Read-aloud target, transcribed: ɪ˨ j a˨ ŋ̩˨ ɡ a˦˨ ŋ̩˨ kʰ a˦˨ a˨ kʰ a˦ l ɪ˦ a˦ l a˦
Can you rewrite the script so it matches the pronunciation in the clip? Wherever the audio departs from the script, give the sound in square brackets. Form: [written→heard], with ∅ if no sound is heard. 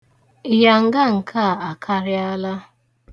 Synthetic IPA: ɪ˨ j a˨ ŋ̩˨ ɡ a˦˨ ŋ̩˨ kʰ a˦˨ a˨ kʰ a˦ [l→ɾ] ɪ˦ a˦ l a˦